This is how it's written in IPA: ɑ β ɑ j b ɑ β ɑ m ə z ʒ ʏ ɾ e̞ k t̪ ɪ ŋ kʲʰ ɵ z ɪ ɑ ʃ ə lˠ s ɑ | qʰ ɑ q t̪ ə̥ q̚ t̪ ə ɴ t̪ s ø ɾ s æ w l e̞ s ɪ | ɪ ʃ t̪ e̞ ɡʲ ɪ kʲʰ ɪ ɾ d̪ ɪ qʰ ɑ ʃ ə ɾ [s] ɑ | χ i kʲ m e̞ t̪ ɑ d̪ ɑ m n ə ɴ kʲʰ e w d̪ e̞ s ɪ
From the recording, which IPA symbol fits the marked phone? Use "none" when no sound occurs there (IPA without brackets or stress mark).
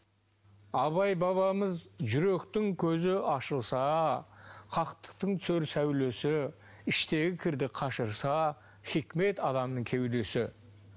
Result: s